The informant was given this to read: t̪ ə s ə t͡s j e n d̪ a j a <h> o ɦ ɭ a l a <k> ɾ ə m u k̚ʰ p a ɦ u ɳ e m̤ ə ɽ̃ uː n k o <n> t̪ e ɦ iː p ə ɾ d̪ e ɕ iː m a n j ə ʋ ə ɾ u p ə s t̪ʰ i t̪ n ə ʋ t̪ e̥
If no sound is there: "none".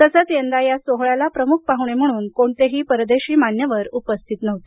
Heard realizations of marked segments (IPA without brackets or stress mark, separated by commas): s, p, ɳ